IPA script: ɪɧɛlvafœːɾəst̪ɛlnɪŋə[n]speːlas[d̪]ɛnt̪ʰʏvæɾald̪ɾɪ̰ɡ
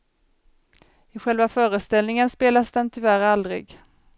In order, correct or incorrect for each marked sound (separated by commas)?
correct, correct